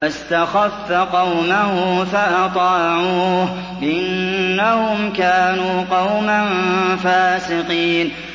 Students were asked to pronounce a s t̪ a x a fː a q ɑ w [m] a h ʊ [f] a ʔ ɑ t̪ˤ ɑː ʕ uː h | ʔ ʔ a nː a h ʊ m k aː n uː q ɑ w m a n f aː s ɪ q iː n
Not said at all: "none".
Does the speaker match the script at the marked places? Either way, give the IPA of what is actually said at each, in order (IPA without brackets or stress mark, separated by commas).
m, f